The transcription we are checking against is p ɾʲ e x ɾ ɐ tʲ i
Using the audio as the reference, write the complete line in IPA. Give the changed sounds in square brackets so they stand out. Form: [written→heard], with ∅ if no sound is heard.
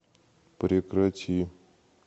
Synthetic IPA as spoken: p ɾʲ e [x→k] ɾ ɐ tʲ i